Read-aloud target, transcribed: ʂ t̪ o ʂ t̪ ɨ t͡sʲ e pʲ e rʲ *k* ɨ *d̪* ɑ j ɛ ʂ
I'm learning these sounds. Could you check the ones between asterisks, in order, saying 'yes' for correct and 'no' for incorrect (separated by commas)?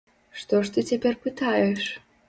no, no